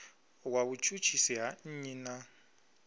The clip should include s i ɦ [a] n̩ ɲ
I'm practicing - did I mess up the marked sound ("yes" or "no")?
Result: no